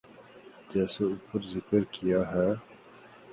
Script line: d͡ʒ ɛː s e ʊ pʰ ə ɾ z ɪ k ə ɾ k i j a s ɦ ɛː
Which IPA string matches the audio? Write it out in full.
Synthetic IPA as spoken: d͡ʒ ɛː s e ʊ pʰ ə ɾ z ɪ k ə ɾ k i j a ɦ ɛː